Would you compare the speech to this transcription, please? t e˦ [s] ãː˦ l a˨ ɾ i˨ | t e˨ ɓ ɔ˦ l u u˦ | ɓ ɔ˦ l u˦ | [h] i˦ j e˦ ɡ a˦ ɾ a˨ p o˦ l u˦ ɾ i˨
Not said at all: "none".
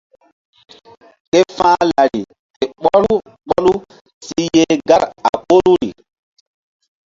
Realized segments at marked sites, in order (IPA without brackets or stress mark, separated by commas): f, s